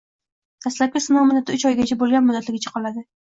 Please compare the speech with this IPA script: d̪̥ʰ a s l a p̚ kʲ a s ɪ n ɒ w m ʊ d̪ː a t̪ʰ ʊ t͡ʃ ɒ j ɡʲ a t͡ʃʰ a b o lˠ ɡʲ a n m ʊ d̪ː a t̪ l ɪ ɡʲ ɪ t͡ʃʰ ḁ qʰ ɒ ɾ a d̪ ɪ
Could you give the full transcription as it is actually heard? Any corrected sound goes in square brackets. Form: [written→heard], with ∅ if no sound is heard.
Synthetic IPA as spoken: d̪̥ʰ a s l a p̚ kʲ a s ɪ n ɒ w m ʊ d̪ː a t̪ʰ ʊ t͡ʃ ɒ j ɡʲ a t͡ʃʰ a b o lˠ ɡʲ a n m ʊ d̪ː a t̪ l ɪ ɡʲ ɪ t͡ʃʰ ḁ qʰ ɒ [ɾ→l] a d̪ ɪ